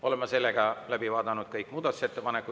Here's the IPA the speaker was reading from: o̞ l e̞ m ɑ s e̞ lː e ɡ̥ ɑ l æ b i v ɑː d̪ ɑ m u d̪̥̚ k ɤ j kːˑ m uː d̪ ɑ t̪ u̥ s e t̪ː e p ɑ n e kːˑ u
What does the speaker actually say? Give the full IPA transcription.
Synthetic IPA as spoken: o̞ l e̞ m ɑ s e̞ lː e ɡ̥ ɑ l æ b i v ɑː d̪ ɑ n u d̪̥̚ k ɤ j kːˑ m uː d̪ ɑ t̪ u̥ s e t̪ː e p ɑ n e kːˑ u